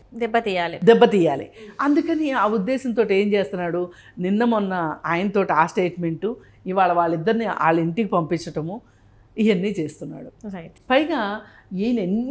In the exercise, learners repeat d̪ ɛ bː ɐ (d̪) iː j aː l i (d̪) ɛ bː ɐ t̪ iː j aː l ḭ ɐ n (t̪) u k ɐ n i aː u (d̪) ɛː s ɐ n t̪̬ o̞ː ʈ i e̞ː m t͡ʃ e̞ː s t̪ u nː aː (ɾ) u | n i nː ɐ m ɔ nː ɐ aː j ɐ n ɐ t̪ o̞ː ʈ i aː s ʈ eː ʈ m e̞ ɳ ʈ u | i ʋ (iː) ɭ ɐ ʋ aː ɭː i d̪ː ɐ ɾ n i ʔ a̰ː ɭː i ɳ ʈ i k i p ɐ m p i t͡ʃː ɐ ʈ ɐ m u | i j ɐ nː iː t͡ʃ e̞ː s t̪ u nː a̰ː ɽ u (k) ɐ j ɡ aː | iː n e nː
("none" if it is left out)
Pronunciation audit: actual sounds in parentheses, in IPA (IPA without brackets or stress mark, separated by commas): t̪, d̪, d̪, d̪ː, ɽ, aː, p